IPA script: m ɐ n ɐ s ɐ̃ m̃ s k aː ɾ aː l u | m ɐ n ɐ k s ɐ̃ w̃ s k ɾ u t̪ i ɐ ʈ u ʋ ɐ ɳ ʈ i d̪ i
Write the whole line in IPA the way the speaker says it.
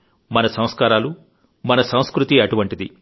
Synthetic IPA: m ɐ n ɐ s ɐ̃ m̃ s k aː ɾ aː l u | m ɐ n ɐ s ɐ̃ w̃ s k ɾ u t̪ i ɐ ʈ u ʋ ɐ ɳ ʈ i d̪ i